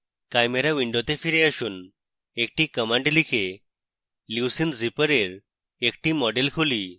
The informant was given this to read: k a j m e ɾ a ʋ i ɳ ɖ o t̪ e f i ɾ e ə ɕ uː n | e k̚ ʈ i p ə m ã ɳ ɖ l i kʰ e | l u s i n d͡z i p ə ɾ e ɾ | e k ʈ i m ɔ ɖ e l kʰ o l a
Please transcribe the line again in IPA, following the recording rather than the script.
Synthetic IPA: k a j m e ɾ a ʋ i ɳ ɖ o t̪ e f i ɾ e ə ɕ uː n | e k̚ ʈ i k ə m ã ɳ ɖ l i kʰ e | l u s i n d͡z i p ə ɾ e ɾ | e k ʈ i m ɔ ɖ e l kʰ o l i